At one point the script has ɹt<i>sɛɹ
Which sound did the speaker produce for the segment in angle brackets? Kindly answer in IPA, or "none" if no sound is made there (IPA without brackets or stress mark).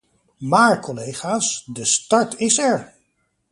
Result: ɪ